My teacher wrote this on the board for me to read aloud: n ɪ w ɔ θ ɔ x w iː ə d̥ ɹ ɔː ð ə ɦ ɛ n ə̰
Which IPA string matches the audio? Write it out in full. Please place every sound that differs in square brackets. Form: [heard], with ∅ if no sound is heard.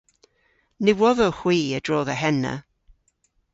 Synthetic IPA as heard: n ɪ w ɔ [ð] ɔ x w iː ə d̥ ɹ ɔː ð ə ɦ ɛ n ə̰